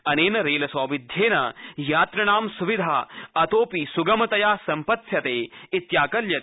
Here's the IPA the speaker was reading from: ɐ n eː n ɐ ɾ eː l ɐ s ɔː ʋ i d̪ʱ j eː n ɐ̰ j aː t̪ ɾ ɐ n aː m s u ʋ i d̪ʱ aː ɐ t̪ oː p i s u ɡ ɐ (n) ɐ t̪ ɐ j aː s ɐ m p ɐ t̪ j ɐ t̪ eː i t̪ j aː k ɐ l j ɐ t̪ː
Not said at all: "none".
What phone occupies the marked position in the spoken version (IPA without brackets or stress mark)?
m